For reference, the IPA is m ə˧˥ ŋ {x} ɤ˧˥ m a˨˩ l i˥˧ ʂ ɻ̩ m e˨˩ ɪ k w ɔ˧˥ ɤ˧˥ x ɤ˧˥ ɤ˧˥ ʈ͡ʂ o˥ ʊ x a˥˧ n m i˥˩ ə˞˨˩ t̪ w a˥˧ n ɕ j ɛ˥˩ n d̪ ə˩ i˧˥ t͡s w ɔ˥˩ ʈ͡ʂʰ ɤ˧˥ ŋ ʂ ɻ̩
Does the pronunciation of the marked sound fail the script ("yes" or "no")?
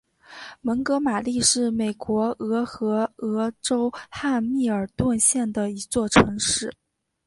yes